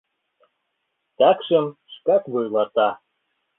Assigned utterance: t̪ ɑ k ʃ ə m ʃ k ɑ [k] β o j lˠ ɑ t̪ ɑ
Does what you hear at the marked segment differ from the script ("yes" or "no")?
no